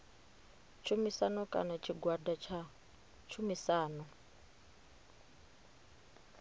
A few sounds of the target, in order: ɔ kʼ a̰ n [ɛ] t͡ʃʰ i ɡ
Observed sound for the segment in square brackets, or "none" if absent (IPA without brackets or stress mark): a